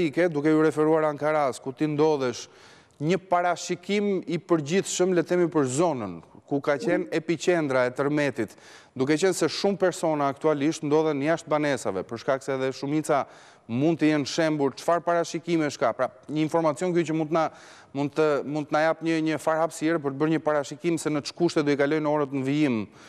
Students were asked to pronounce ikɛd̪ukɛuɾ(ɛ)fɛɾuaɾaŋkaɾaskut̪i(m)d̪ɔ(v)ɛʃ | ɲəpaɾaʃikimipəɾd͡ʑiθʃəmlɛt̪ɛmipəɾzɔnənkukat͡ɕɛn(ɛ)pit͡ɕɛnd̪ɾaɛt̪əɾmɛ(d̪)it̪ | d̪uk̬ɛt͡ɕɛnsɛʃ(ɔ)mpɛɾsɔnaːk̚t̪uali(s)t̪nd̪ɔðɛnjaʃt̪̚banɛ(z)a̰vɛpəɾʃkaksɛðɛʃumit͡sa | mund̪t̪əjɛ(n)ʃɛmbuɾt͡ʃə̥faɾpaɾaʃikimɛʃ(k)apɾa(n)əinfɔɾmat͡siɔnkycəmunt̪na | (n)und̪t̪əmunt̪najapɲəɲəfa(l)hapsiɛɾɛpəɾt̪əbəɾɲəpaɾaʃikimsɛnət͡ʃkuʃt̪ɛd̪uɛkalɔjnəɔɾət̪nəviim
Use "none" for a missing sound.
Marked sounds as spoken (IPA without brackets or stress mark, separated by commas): ɛ, n, ð, ɛ, t̪, u, ʃ, s, n, k, ɲ, m, ɾ